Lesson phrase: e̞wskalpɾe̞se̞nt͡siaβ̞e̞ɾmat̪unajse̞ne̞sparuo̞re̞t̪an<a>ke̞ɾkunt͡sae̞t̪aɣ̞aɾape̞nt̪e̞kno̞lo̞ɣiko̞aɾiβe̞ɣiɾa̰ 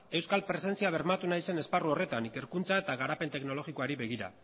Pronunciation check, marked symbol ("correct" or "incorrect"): incorrect